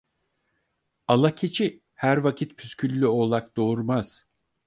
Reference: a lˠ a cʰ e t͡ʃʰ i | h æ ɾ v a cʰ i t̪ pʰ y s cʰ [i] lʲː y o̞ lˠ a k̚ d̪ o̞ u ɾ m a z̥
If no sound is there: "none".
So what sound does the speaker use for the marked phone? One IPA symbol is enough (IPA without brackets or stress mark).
y